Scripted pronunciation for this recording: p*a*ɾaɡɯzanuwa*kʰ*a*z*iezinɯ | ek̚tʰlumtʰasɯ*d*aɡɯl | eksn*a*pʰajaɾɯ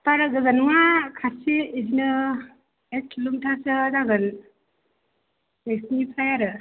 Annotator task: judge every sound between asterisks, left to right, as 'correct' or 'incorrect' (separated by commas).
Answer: correct, correct, incorrect, correct, incorrect